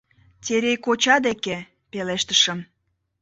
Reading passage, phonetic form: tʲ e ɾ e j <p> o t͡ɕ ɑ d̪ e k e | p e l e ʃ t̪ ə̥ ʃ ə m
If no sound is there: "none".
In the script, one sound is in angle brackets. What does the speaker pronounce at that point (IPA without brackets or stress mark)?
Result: k